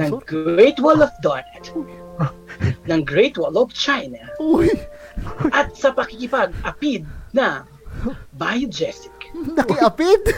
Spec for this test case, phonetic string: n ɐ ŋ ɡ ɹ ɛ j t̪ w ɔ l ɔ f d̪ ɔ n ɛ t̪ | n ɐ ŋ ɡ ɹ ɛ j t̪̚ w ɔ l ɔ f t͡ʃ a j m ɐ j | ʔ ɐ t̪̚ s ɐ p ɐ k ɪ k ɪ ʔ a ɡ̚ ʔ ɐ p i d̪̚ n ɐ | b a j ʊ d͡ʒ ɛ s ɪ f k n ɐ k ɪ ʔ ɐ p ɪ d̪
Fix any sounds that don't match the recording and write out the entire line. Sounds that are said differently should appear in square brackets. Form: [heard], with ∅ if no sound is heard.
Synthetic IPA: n ɐ ŋ ɡ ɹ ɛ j t̪ w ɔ l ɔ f d̪ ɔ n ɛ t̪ | n ɐ ŋ ɡ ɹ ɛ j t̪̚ w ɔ l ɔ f t͡ʃ a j [n] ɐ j | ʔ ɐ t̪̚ s ɐ p ɐ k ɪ k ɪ [p] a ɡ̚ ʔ ɐ p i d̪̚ n ɐ | b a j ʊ d͡ʒ ɛ s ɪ [∅] k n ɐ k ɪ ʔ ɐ p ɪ d̪